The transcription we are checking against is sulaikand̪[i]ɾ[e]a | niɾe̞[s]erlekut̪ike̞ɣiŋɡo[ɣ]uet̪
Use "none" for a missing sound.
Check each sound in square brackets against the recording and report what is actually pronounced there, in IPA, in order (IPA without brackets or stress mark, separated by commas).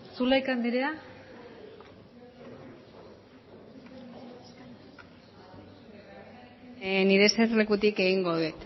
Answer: i, e, s, ð